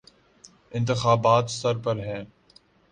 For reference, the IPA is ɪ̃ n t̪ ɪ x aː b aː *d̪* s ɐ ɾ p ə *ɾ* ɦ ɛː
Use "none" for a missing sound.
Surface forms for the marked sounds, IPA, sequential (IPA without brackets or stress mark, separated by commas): t̪, ɾ